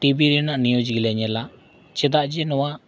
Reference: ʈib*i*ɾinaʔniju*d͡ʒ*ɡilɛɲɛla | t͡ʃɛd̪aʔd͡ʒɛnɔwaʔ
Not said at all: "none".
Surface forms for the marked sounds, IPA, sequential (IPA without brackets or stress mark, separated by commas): i, d͡ʒ